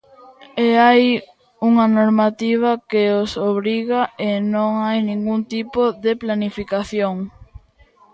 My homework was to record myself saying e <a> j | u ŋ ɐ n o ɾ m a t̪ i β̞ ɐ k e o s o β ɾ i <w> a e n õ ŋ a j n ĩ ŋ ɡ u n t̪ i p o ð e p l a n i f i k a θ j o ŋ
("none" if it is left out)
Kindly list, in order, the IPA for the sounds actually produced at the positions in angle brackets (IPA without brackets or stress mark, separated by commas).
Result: a, ɣ